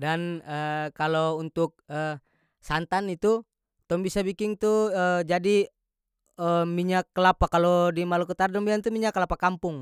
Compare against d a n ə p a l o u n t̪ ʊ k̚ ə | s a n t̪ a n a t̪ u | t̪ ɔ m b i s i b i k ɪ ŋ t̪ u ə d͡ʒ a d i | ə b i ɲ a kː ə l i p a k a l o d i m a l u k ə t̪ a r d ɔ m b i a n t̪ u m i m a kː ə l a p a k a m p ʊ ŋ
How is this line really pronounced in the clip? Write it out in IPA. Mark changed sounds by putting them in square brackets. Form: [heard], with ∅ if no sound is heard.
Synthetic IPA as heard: d a n ə [k] a l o u n t̪ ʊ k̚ ə | s a n t̪ a n [i] t̪ u | t̪ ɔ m b i s [a] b i k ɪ ŋ t̪ u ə d͡ʒ a d i | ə [m] i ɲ a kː ə l [a] p a k a l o d i m a l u k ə t̪ a r d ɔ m b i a n t̪ u m i [ɲ] a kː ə l a p a k a m p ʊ ŋ